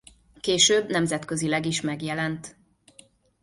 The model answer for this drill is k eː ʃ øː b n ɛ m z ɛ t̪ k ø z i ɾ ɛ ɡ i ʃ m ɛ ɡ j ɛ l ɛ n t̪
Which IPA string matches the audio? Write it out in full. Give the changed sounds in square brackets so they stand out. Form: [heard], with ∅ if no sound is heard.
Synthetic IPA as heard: k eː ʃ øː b n ɛ m z ɛ t̪ k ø z i [l] ɛ ɡ i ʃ m ɛ ɡ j ɛ l ɛ n t̪